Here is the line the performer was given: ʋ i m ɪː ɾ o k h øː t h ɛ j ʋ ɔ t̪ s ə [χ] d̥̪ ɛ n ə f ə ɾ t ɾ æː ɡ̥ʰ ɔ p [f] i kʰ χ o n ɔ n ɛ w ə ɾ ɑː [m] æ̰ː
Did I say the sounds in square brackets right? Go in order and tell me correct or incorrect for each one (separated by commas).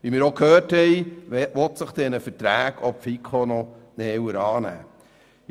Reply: correct, correct, incorrect